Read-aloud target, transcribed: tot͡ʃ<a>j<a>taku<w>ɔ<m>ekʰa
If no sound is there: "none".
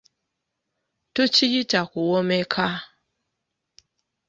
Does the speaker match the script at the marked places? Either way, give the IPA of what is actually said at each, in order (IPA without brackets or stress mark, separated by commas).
i, i, w, m